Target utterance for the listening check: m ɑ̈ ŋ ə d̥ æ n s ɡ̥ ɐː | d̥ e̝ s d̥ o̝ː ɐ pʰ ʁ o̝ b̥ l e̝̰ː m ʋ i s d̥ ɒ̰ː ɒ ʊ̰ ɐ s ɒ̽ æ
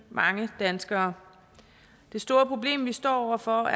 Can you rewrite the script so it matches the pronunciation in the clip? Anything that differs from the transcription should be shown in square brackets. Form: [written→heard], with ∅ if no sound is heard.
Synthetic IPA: m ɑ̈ ŋ ə d̥ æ n s ɡ̥ ɐː | d̥ e̝ s d̥ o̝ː ɐ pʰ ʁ o̝ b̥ l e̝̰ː m ʋ i s d̥ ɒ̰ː ɒ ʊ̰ ɐ [s→f] ɒ̽ æ